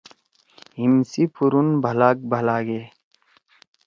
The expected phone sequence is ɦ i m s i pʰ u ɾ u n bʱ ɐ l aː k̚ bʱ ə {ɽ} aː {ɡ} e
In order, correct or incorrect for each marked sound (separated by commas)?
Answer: incorrect, correct